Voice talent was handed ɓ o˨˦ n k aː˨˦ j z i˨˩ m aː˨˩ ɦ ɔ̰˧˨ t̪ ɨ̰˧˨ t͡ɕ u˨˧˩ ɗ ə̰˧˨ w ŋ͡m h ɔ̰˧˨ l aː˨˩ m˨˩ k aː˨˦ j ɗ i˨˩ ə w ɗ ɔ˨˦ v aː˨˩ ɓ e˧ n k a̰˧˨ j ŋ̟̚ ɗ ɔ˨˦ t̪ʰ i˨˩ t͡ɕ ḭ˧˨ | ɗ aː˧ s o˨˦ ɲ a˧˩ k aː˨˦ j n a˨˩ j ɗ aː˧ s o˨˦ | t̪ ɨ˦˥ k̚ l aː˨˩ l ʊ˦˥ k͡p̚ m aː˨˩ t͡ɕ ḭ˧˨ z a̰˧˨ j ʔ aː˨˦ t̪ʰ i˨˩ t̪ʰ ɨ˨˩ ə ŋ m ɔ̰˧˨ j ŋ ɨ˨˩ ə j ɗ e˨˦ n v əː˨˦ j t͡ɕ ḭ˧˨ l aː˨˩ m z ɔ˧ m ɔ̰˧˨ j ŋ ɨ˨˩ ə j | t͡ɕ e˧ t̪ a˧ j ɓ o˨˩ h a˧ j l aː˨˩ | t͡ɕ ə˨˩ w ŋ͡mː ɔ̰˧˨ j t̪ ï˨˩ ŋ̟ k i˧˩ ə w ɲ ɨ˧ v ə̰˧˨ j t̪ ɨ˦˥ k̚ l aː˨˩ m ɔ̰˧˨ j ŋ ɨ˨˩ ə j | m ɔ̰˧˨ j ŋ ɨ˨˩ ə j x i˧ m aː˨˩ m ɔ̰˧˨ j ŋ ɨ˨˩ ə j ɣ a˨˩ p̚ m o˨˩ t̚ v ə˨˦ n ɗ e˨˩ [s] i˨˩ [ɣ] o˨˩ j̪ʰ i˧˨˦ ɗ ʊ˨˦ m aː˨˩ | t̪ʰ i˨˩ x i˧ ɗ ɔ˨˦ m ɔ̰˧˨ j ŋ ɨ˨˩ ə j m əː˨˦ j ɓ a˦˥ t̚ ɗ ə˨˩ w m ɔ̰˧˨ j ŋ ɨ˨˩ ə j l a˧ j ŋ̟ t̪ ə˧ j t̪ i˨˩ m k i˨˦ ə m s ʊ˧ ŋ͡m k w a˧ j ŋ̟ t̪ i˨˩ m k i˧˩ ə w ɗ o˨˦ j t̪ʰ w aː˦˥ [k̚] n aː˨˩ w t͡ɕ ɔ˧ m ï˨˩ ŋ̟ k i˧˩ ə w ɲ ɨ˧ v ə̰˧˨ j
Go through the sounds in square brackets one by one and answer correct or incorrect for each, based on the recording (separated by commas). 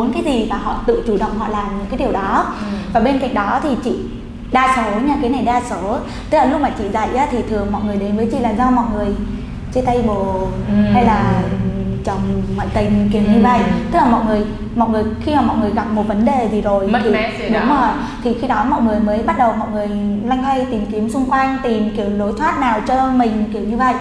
incorrect, incorrect, incorrect